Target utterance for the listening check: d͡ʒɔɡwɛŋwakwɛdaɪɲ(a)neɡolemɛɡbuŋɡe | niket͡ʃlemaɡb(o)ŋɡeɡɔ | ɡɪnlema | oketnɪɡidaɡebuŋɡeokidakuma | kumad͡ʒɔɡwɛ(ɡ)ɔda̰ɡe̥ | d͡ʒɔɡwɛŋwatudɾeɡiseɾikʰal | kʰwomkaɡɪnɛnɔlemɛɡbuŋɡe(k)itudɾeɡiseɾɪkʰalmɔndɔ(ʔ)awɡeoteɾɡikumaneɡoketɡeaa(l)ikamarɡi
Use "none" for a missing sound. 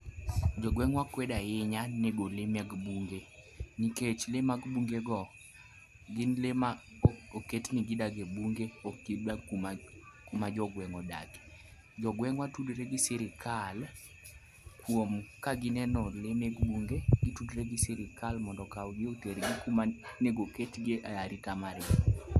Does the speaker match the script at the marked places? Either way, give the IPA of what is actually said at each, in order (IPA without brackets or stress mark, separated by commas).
a, u, ŋ, ɡ, k, ɾ